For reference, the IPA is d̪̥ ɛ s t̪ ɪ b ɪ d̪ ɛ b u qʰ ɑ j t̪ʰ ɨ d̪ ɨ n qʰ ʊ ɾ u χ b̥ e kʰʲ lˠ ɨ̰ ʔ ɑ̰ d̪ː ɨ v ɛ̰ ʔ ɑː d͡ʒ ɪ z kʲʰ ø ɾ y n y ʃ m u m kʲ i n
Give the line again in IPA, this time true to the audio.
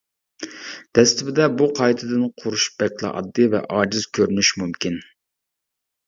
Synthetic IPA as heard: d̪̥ ɛ s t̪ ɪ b ɪ d̪ ɛ b u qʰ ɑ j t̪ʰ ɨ d̪ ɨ n qʰ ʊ ɾ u ʃ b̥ ɛ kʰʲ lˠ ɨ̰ ʔ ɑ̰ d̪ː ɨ v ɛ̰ ʔ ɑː d͡ʒ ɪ z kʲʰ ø ɾ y n y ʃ m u m kʲ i n